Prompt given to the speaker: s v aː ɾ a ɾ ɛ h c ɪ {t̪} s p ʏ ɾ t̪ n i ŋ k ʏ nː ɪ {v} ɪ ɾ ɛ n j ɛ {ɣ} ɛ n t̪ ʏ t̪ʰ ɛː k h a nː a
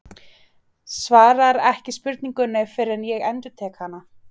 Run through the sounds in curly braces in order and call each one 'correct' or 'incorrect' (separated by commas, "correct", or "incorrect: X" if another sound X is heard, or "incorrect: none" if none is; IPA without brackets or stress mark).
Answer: incorrect: none, incorrect: f, correct